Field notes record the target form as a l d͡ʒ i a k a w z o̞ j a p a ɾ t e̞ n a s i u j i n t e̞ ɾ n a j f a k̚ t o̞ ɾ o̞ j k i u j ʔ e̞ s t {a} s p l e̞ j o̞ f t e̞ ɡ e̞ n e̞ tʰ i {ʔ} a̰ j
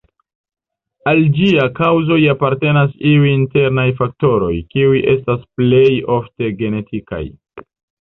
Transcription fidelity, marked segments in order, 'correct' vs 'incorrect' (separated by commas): correct, incorrect